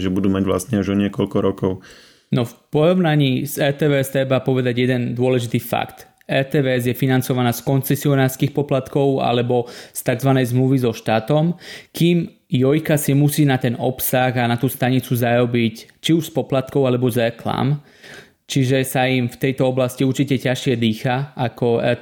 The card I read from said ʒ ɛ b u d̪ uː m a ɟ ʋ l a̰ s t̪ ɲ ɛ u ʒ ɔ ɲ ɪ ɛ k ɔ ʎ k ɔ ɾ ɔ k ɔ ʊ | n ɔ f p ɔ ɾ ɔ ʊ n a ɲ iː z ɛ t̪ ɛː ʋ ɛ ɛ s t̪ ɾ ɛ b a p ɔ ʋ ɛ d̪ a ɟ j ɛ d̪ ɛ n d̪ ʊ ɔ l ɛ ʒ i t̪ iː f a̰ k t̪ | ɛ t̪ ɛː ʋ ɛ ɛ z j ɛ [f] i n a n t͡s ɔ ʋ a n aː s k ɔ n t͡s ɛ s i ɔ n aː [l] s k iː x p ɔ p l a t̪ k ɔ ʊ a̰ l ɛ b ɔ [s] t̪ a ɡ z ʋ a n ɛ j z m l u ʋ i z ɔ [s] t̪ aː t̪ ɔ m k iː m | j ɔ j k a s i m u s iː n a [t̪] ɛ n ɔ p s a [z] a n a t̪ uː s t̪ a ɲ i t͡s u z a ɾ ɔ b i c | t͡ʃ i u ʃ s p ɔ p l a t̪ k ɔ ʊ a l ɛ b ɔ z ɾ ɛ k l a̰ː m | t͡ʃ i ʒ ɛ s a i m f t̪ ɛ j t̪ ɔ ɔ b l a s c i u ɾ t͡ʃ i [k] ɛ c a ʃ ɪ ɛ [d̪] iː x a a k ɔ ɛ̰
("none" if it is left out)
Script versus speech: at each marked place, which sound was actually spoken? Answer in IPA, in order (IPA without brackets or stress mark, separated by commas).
f, ɾ, s, ʃ, t̪, ɣ, c, d̪